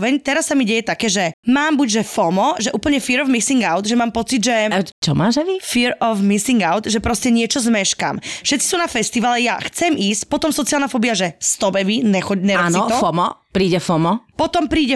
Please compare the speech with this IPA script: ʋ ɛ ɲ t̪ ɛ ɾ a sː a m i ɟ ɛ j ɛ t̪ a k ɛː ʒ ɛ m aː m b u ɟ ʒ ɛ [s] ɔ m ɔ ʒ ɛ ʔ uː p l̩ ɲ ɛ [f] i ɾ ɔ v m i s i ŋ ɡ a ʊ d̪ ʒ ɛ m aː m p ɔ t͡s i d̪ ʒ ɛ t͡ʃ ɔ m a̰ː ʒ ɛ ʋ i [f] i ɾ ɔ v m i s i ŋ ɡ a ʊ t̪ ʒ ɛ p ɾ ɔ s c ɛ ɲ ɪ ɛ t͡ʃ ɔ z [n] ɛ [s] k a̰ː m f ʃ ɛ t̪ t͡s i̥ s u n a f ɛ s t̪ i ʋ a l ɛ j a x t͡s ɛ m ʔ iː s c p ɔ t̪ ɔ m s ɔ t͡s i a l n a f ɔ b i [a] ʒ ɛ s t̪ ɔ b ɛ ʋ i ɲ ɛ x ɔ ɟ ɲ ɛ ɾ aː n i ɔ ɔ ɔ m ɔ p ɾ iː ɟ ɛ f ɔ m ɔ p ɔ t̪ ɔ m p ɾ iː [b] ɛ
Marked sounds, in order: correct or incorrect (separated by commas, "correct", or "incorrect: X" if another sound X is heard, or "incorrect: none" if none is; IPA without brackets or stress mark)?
incorrect: f, correct, correct, incorrect: m, incorrect: ʃ, correct, incorrect: ɟ